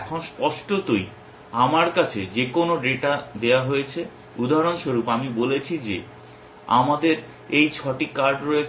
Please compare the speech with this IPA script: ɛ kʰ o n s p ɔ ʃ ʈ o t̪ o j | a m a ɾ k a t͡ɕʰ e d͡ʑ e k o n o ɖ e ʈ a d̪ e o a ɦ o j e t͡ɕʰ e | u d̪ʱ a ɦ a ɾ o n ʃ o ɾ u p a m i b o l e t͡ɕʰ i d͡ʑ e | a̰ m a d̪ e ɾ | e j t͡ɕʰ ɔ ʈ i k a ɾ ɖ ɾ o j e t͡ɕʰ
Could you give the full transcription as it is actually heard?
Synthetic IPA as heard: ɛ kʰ o n s p ɔ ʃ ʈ o t̪ o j | a m a ɾ k a t͡ɕʰ e d͡ʑ e k o n o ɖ e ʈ a d̪ e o a ɦ o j e t͡ɕʰ e | u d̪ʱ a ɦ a ɾ o n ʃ o ɾ u p a m i b o l e t͡ɕʰ i d͡ʑ e | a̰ m a d̪ e ɾ | e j t͡ɕʰ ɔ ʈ i k a ɾ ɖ ɾ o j e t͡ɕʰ